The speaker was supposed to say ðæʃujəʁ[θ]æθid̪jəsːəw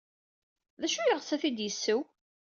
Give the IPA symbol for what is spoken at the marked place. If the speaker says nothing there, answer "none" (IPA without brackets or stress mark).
s